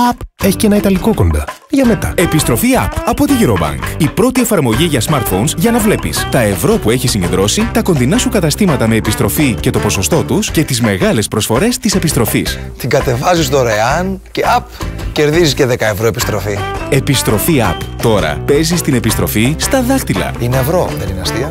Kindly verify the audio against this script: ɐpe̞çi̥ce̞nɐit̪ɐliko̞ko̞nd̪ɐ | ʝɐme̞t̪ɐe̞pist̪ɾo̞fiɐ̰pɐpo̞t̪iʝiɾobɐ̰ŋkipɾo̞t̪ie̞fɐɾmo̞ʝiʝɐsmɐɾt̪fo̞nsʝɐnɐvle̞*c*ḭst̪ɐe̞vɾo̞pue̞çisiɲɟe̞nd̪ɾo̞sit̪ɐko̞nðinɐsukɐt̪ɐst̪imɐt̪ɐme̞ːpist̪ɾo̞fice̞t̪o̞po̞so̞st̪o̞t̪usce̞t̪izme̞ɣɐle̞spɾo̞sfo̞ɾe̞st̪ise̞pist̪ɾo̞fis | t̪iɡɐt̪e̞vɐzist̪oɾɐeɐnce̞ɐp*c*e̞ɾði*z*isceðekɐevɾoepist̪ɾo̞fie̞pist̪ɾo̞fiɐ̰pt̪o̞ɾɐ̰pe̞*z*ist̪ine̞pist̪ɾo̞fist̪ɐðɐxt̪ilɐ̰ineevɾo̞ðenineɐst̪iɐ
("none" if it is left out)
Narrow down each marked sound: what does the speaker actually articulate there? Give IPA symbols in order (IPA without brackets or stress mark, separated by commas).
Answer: p, c, z, z